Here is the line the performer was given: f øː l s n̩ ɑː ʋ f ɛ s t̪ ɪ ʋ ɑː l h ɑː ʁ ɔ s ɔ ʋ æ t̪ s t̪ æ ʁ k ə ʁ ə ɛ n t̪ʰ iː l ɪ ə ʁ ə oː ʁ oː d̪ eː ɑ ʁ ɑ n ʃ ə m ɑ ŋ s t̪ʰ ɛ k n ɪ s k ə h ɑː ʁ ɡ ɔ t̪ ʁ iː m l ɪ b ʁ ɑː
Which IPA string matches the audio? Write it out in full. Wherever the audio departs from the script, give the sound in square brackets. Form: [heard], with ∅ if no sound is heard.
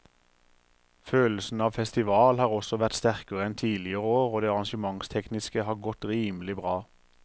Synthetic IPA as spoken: f øː l s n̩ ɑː ʋ f ɛ s t̪ ɪ ʋ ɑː l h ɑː ʁ ɔ s ɔ ʋ æ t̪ s t̪ æ ʁ k ə ʁ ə ɛ n t̪ʰ iː l ɪ ə ʁ ə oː ʁ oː d̪ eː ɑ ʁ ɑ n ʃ ə m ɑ ŋ s t̪ʰ ɛ k n ɪ s k ə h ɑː ʁ ɡ ɔ t̪ ʁ iː m l ɪ b ʁ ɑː